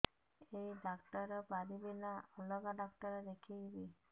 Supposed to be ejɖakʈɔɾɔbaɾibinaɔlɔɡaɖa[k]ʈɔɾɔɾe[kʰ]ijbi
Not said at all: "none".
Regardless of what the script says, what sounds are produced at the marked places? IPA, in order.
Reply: k, kʰ

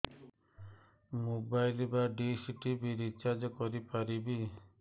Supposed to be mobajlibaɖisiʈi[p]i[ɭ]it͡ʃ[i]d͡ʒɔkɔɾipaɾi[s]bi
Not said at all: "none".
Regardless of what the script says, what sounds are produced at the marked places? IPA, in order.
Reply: b, ɾ, a, none

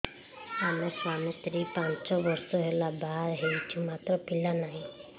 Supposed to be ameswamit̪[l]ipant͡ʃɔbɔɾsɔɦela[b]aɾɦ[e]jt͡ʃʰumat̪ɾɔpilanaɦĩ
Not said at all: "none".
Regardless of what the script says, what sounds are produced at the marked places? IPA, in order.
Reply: ɾ, b, e

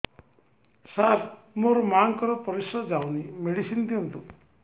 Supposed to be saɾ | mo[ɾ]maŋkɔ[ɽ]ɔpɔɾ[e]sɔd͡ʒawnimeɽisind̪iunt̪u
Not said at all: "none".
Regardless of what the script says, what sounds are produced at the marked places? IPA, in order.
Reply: ɾ, ɾ, i

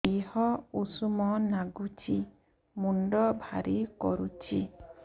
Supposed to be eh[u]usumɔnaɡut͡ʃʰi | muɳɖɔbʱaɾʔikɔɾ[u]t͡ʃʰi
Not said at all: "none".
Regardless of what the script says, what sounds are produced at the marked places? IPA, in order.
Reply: ɔ, u

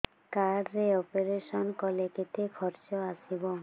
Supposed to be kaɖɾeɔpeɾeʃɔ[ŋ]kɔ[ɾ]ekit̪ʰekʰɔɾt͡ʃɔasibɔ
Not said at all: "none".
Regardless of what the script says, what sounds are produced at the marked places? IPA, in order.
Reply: n, l

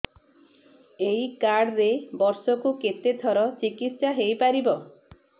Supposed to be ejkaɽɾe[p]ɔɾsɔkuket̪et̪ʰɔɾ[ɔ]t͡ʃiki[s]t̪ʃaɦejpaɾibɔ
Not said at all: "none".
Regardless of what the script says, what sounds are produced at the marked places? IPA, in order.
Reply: b, ɔ, none

